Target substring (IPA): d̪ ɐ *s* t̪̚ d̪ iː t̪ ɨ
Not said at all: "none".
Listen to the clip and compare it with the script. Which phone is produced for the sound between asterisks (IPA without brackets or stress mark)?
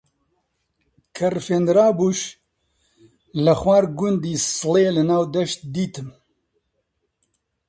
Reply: ʃ